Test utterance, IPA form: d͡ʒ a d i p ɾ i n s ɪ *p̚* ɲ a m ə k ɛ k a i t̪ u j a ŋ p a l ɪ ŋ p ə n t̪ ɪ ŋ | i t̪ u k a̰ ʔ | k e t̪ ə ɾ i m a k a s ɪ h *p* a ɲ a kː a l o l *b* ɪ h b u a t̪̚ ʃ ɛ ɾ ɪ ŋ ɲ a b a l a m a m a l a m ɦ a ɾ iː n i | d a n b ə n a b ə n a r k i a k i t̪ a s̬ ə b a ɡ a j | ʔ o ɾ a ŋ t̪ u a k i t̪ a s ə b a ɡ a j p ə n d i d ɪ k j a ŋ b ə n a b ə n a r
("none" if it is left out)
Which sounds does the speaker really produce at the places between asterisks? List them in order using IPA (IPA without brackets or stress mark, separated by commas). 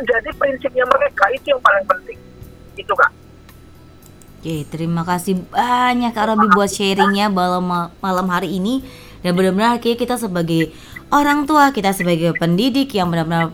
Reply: p̚, b, b